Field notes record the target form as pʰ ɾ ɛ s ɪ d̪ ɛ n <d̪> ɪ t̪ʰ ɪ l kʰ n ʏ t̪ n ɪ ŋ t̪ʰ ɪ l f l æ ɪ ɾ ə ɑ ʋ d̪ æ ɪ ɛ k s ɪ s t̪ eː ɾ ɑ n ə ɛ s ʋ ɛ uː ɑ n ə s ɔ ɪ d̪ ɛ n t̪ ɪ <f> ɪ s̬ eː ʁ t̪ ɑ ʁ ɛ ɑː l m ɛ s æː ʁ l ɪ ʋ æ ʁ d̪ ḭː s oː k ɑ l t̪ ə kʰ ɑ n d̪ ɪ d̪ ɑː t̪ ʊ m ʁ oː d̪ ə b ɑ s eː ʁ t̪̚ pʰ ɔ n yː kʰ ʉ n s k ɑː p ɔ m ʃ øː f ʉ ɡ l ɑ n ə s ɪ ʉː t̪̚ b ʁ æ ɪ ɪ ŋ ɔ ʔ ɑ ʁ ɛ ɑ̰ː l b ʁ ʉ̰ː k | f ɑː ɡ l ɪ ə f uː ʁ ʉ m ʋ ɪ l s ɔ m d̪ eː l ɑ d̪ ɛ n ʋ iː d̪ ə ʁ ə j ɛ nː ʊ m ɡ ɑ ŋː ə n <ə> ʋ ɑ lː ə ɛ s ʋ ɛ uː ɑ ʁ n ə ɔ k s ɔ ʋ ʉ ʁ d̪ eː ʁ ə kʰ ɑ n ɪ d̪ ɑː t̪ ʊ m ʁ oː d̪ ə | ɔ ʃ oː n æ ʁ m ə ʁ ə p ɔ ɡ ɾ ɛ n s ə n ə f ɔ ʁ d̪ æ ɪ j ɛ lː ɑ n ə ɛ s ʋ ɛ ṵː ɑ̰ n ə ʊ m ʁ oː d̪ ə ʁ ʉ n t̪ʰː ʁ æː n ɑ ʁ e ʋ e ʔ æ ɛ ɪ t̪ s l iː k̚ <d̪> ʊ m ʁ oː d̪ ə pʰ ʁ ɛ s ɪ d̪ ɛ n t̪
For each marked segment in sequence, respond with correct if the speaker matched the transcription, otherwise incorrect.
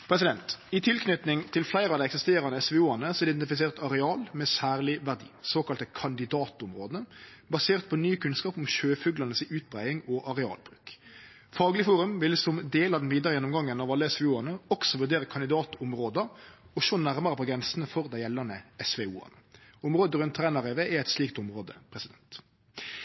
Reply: incorrect, correct, incorrect, incorrect

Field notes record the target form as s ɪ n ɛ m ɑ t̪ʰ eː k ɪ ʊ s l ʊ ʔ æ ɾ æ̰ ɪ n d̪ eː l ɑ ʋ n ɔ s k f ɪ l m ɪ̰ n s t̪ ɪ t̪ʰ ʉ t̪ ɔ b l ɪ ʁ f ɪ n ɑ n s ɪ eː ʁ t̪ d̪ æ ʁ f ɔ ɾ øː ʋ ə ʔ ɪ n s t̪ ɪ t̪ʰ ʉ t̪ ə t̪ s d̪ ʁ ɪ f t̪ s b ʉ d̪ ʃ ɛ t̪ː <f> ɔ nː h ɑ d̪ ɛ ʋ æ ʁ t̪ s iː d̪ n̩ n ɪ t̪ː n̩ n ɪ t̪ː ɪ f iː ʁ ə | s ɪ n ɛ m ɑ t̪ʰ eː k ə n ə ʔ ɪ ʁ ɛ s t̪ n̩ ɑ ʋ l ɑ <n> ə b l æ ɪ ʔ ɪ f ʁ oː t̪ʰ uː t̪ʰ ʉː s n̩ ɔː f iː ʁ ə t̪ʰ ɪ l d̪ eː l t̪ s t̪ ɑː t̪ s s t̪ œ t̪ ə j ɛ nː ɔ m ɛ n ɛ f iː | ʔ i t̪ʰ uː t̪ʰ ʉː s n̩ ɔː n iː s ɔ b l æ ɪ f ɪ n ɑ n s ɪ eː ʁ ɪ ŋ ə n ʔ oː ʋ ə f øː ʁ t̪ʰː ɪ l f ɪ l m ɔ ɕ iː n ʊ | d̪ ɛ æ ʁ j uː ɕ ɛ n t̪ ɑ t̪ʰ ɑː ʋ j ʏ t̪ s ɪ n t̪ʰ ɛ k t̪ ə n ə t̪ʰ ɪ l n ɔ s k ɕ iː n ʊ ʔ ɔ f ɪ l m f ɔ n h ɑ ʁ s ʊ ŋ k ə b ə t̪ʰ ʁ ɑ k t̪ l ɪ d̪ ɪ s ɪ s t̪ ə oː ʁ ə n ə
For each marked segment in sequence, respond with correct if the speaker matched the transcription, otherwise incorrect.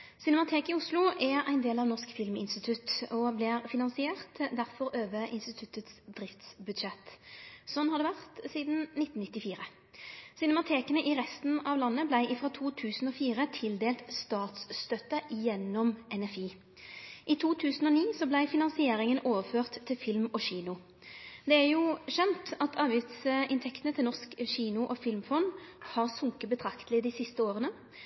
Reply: incorrect, incorrect

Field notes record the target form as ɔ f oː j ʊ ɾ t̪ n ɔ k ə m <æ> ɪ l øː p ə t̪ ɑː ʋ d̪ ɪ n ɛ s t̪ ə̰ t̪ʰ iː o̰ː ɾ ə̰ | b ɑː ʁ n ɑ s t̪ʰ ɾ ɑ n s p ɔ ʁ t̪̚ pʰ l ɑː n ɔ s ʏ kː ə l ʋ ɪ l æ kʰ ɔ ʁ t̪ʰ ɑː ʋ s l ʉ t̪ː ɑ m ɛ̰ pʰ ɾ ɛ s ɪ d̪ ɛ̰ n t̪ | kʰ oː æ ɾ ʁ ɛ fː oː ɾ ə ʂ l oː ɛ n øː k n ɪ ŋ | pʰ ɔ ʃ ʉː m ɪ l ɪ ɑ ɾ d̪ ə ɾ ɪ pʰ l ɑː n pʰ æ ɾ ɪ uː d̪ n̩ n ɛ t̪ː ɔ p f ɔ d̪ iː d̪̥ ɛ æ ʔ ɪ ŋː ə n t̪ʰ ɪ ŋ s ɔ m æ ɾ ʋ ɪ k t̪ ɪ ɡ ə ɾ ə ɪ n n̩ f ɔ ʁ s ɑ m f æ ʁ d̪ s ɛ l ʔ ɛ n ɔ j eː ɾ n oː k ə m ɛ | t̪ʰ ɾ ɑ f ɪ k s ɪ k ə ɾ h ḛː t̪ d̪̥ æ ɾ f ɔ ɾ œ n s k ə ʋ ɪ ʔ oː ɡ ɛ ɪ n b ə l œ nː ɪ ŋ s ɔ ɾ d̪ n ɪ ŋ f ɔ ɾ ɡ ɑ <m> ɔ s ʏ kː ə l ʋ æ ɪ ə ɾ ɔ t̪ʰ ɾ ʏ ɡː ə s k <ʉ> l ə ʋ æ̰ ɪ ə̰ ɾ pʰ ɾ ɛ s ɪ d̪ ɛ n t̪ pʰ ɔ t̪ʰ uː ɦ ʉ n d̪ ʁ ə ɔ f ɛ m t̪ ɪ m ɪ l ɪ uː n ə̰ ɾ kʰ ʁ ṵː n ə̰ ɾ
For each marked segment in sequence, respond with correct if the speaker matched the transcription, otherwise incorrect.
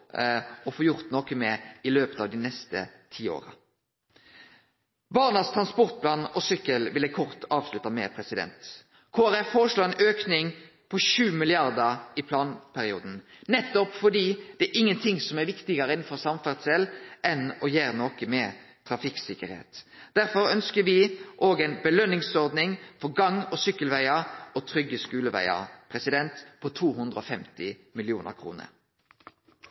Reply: incorrect, incorrect, incorrect

